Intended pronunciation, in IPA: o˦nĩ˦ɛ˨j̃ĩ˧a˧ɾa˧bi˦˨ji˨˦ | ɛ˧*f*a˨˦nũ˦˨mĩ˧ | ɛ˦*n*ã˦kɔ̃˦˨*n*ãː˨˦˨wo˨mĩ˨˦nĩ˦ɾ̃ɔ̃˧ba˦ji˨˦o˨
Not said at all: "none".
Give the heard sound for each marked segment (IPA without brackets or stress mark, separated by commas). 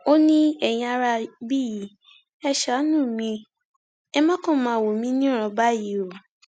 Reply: ʃ, m, m